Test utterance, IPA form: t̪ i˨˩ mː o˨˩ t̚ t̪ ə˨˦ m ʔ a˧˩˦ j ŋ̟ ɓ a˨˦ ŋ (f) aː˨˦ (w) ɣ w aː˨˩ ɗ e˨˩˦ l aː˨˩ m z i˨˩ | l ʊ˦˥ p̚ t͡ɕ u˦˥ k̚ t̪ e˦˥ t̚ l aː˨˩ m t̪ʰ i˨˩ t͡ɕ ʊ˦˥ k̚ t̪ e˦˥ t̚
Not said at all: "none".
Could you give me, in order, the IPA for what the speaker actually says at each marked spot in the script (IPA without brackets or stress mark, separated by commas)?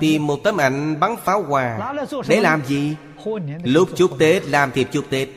f, w